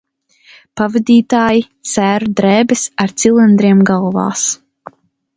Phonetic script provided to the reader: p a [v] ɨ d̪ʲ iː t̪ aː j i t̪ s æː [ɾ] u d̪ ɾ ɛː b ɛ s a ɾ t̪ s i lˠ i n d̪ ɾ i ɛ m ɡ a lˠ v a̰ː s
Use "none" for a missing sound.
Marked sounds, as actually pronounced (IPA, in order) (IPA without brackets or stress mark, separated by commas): v, ɾ